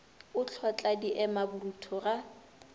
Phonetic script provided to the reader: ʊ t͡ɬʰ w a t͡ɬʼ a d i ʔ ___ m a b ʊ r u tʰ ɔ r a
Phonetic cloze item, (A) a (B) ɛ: B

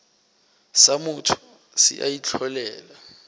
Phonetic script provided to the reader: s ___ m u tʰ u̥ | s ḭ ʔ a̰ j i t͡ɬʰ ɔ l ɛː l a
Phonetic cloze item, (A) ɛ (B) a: B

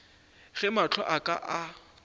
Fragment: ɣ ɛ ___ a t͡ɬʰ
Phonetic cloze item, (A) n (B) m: B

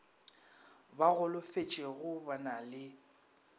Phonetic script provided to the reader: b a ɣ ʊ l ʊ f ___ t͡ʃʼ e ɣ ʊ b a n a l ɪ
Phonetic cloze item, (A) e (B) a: A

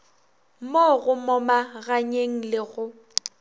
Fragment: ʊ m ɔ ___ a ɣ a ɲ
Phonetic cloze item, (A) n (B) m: B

